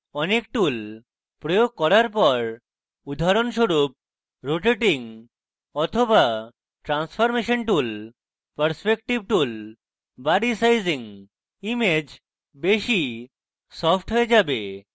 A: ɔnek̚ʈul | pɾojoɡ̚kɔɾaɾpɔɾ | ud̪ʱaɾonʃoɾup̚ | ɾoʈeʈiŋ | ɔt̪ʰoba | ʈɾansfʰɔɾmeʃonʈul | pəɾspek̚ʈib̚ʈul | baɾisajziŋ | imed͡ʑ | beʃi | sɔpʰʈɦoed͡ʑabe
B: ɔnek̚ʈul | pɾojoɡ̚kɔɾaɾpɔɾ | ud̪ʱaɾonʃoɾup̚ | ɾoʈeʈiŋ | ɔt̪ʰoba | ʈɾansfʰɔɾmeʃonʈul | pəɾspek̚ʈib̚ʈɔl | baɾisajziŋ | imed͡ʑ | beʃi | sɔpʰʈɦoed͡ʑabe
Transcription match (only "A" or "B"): A